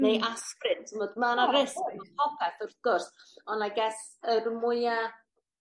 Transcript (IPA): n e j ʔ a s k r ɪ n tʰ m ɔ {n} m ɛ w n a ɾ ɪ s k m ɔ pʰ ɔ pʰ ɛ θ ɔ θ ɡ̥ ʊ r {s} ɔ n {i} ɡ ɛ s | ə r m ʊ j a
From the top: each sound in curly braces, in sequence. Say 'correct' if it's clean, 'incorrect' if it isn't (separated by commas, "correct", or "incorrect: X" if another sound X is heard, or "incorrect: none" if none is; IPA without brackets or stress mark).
incorrect: d, correct, incorrect: a